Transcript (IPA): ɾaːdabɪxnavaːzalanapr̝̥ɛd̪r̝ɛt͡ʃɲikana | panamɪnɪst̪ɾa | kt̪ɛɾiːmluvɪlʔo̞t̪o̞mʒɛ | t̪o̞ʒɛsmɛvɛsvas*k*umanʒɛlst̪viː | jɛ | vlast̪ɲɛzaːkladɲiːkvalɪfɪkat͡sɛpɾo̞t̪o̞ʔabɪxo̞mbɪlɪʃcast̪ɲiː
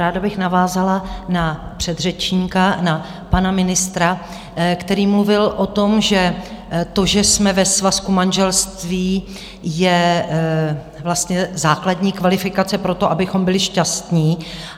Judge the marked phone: correct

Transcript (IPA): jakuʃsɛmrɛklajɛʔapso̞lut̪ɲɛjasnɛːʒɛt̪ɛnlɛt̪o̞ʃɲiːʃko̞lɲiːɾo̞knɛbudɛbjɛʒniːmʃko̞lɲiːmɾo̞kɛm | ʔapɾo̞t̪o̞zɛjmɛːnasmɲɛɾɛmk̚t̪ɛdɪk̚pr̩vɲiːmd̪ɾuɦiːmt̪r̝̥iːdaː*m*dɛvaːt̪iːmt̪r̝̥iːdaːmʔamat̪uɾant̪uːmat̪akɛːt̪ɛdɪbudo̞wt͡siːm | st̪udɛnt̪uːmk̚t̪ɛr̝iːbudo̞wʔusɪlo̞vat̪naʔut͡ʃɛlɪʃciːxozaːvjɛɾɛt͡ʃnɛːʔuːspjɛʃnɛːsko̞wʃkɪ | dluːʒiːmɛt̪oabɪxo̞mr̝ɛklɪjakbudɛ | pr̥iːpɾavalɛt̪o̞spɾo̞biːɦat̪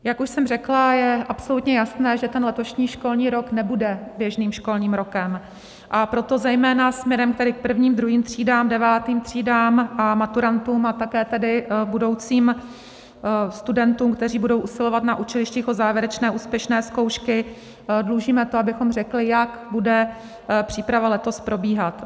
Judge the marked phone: correct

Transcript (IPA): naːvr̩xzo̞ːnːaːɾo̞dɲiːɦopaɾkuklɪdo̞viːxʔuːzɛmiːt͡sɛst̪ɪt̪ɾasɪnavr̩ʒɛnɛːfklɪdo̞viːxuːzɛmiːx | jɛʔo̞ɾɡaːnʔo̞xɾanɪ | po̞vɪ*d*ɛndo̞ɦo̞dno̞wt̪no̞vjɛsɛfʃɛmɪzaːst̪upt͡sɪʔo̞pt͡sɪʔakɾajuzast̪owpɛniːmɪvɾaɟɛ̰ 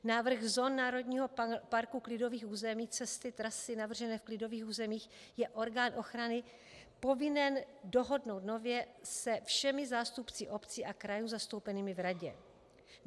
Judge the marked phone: incorrect: n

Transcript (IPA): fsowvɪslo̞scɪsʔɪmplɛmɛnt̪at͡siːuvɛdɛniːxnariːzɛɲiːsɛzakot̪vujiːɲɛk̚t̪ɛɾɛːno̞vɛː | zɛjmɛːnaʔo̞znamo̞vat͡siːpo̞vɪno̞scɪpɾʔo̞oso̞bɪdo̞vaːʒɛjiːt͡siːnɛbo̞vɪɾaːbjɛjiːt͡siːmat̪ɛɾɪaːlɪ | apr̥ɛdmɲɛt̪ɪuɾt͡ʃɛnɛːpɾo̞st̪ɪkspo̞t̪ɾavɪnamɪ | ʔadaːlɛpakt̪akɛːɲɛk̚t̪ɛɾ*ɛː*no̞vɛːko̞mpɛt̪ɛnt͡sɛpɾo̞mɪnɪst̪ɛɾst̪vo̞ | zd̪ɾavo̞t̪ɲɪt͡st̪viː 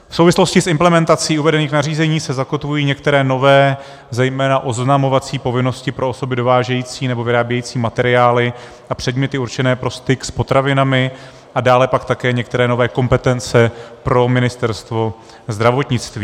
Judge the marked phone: correct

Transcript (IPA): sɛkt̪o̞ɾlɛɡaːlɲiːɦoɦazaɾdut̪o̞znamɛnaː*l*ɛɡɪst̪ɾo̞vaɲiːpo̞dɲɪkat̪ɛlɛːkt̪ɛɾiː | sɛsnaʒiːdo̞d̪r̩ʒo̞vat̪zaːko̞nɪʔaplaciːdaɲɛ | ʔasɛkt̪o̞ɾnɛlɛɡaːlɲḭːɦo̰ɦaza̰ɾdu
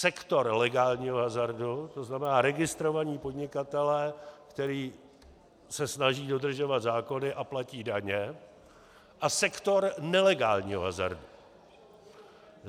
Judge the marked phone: incorrect: ɾ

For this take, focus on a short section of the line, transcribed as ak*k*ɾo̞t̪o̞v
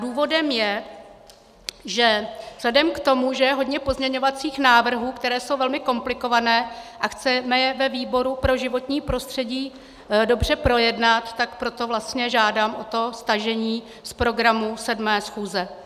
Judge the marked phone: incorrect: p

